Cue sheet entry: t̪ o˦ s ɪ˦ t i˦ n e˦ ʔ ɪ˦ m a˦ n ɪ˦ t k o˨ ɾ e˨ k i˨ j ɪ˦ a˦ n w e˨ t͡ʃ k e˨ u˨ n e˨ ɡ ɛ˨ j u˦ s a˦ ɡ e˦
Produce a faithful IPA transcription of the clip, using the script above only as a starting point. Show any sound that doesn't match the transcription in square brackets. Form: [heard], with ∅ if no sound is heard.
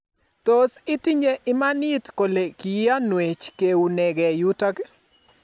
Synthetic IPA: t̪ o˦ s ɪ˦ t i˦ [ɲ] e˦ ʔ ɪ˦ m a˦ n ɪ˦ t k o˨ [l] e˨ k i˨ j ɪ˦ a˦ n w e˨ t͡ʃ k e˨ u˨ n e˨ ɡ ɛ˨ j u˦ [t] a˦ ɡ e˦